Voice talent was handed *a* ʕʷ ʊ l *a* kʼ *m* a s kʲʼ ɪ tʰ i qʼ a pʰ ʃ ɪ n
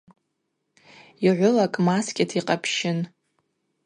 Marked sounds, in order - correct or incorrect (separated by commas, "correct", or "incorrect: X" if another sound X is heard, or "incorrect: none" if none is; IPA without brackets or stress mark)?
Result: incorrect: i, correct, correct